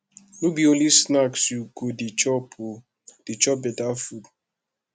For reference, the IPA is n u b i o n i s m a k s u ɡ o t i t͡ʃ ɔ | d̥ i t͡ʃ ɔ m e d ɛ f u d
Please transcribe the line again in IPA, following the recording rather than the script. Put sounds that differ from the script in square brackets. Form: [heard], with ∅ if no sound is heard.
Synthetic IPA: n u b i o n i s [n] a k s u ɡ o [d] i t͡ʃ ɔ | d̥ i t͡ʃ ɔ [b] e d [a] f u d